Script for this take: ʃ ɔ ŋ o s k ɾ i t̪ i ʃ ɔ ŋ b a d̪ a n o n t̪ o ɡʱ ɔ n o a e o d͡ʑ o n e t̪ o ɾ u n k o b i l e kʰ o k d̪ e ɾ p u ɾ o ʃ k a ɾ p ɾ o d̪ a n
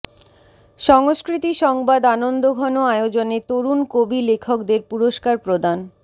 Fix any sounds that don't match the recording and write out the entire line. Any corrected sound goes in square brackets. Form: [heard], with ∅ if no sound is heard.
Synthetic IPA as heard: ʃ ɔ ŋ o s k ɾ i t̪ i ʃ ɔ ŋ b a d̪ a n o n [d̪] o ɡʱ ɔ n o a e o d͡ʑ o n e t̪ o ɾ u n k o b i l e kʰ o k d̪ e ɾ p u ɾ o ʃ k a ɾ p ɾ o d̪ a n